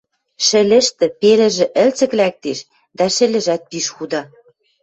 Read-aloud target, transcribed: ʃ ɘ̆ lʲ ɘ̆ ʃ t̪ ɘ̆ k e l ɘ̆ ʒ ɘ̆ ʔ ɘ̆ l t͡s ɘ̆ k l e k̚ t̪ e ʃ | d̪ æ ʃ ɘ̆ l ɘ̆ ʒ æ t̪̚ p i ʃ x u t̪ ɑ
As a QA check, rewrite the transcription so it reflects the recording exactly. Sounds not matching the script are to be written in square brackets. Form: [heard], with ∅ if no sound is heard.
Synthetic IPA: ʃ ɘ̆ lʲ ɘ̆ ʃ t̪ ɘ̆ [p] e l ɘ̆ ʒ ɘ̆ ʔ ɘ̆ l t͡s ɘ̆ k l [æ] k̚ t̪ e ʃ | d̪ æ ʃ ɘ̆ l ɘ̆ ʒ æ t̪̚ p i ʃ x u [d̪] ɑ